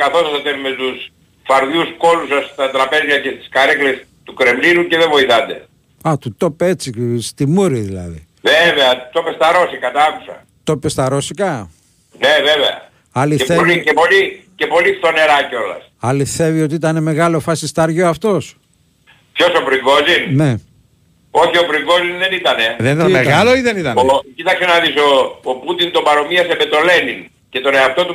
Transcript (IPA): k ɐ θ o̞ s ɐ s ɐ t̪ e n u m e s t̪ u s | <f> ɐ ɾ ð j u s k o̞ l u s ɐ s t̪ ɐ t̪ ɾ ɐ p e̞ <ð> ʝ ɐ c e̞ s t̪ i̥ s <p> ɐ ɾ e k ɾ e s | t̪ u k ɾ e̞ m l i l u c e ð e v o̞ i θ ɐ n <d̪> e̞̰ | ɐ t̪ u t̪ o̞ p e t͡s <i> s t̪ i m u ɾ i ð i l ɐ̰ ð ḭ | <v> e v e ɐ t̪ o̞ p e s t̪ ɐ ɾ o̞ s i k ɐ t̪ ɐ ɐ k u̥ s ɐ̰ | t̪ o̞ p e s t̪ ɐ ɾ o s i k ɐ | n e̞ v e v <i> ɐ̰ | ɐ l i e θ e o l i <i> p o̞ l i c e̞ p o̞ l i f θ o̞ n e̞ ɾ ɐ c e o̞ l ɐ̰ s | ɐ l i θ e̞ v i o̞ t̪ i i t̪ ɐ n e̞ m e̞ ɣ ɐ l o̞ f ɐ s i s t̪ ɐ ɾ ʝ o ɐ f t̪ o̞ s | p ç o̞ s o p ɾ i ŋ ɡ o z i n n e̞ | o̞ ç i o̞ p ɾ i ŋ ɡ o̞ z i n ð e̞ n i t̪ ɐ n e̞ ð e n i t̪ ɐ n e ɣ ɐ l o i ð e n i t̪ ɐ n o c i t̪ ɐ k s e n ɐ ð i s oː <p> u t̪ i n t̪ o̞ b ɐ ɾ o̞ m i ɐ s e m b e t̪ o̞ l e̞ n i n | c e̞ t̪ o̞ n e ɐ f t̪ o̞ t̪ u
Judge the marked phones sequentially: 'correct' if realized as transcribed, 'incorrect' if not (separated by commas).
correct, incorrect, incorrect, correct, correct, correct, incorrect, incorrect, correct